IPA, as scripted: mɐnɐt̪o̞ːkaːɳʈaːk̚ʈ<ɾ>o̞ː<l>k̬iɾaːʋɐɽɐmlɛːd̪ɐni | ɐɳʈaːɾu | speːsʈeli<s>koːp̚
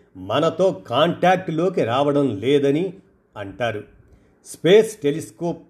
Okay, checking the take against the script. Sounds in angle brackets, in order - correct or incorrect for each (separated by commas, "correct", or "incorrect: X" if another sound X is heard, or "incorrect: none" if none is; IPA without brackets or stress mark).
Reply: incorrect: l, incorrect: none, correct